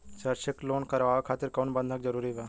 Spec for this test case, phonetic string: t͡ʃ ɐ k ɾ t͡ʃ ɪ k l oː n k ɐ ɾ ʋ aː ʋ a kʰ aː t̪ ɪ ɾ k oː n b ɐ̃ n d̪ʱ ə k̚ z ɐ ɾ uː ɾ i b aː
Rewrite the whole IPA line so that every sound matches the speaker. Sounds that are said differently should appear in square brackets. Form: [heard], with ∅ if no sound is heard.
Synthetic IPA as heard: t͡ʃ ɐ [∅] ɾ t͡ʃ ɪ k l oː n k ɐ ɾ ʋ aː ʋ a kʰ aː t̪ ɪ ɾ k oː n b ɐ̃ n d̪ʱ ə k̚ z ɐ ɾ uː ɾ i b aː